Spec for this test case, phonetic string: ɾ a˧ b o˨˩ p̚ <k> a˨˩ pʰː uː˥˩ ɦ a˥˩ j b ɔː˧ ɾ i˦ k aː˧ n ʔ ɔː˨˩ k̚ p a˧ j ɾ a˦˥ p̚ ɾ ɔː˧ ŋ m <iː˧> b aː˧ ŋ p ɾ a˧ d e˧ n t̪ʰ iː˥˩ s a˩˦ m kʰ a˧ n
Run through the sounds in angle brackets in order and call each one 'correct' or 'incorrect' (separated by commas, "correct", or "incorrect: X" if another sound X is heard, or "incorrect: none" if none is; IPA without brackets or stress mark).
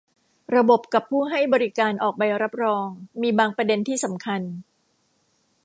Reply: correct, correct